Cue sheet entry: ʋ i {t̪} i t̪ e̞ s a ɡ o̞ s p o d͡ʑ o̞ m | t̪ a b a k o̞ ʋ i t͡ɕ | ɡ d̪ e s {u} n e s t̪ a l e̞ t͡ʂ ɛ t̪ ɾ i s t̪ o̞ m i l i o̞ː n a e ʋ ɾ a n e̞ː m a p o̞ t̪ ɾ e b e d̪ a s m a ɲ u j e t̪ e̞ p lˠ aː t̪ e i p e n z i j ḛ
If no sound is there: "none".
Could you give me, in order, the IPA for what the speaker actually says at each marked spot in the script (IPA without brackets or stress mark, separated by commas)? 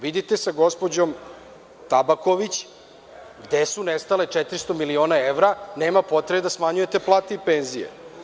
d̪, u